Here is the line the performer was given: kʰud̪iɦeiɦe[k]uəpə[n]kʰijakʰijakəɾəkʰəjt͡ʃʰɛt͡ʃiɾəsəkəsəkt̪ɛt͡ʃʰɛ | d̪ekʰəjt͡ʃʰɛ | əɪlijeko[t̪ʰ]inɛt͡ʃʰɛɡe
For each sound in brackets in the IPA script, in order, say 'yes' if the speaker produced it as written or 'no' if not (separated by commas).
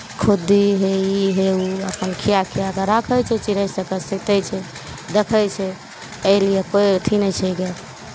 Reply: no, yes, yes